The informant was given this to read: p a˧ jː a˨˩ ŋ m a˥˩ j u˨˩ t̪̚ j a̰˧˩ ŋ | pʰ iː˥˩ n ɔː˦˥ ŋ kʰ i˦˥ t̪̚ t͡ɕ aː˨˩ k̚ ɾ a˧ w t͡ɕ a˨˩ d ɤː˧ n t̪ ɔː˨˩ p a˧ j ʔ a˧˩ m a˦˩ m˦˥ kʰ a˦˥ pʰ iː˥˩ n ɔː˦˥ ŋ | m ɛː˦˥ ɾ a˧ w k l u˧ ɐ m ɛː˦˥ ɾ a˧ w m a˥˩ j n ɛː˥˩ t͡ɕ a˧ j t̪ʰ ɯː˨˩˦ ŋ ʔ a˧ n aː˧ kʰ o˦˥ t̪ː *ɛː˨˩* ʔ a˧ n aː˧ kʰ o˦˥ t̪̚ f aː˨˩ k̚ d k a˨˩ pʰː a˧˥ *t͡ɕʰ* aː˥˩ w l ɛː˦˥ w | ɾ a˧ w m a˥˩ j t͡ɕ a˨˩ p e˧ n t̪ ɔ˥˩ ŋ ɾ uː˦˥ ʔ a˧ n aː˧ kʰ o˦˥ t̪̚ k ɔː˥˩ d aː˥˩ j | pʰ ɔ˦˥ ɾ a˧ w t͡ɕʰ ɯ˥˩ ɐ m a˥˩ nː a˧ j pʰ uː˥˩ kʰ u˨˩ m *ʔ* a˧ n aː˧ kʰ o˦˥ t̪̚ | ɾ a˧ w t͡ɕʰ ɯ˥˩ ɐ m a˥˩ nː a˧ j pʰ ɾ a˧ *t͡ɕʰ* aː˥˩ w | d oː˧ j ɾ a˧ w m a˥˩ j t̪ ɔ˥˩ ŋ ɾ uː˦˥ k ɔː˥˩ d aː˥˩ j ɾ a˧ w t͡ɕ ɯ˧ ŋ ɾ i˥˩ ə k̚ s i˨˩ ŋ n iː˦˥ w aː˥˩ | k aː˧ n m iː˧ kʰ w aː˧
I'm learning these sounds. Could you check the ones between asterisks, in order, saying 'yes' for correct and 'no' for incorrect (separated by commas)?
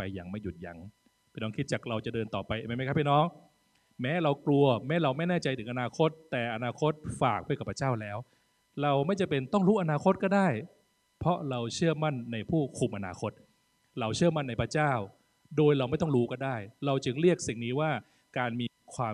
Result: yes, no, yes, no